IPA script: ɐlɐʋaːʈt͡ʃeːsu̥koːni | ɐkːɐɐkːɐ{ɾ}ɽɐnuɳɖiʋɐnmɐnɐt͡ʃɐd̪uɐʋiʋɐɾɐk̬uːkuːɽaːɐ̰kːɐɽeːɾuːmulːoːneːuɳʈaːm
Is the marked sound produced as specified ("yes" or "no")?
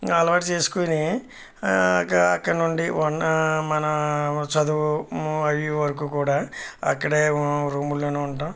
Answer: no